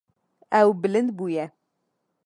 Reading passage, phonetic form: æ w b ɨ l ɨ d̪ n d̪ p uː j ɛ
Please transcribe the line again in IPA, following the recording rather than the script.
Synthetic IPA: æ w b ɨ l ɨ n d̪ b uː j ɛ